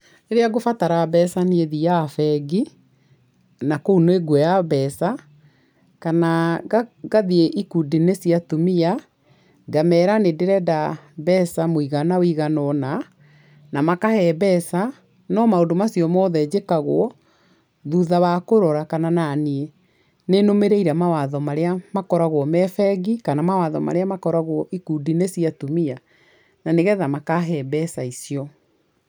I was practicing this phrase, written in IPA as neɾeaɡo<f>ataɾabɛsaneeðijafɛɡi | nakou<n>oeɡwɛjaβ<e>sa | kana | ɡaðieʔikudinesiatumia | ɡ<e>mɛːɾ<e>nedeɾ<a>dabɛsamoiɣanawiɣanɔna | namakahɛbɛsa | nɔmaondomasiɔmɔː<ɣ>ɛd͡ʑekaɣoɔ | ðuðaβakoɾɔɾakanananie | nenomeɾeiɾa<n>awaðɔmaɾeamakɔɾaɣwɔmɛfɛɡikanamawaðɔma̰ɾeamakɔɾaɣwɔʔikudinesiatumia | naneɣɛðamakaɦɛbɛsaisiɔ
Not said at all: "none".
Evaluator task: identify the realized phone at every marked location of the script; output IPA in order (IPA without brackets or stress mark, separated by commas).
f, n, ɛ, a, a, ɛ, ð, m